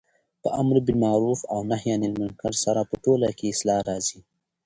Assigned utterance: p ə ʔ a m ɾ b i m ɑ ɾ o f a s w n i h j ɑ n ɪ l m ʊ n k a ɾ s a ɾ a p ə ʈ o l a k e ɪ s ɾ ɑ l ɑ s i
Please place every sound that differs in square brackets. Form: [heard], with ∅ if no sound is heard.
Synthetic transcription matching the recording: p ə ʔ a m ɾ b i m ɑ ɾ [u] f a [∅] w n [a] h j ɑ n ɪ l m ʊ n k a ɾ s a ɾ a p ə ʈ o l a k e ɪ s [l] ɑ [ɾ] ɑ [z] i